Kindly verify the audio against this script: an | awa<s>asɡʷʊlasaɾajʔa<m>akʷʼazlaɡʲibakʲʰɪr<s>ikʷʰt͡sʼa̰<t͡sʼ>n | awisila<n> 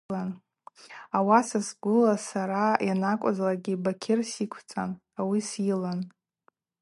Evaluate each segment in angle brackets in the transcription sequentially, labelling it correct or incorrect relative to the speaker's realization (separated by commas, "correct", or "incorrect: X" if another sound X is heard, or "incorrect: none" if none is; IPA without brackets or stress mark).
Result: correct, incorrect: n, correct, incorrect: none, correct